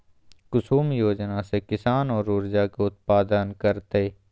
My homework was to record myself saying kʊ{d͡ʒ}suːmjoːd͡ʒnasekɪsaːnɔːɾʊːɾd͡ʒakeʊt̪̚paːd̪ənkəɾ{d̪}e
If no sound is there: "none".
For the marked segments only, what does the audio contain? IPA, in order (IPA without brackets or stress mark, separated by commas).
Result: none, t̪